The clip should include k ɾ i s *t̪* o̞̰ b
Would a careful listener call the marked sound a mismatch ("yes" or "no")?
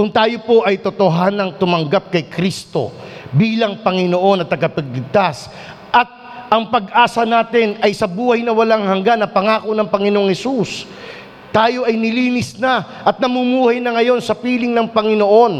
no